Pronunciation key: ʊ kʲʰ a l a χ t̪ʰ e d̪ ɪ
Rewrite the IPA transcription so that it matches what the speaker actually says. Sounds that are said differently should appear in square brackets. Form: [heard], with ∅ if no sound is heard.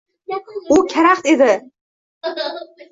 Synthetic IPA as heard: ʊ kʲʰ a [ɾ] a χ [t̪] e d̪ ɪ